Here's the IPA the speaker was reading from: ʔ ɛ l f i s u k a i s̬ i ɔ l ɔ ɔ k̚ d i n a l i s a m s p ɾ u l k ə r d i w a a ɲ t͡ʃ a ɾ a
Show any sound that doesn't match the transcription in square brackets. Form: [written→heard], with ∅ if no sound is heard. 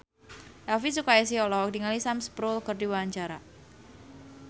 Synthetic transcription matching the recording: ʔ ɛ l f i s u k a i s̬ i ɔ l ɔ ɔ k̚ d i [n→ŋ] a l i s a m s p ɾ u l k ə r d i w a a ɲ t͡ʃ a ɾ a